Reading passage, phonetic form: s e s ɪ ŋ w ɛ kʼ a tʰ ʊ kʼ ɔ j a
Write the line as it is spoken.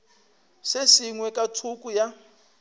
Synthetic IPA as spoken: s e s i ŋ w ɛ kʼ a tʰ u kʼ u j a

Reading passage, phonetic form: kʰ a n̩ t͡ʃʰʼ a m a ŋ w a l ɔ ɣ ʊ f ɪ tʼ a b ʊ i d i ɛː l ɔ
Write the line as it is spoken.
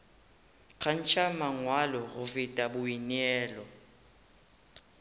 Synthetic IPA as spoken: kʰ a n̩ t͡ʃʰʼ a m a ŋ w a l ɔ ɣ ʊ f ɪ tʼ a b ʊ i n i ɛː l ɔ

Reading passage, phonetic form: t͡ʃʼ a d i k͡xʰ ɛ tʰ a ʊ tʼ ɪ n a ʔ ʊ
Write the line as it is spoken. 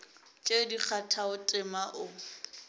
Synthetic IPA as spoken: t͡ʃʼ e d i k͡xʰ a tʰ a ʊ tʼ ɪ m a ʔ ʊ

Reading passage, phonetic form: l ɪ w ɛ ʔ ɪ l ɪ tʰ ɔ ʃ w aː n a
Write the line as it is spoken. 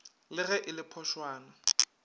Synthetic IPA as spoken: l ɪ ɣ ɛ ʔ ɪ l ɪ pʰ ɔ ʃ w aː n a

